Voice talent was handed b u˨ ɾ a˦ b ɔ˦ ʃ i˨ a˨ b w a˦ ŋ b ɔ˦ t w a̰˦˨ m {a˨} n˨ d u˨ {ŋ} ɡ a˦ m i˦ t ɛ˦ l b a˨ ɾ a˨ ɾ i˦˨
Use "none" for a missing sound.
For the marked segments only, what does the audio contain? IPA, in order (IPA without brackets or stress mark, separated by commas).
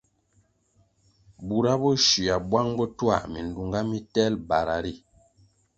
i˨, ŋ